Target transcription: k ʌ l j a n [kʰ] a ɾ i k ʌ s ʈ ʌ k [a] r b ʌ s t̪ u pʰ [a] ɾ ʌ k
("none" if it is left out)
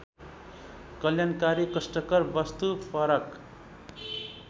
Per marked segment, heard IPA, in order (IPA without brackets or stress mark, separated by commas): k, ʌ, ʌ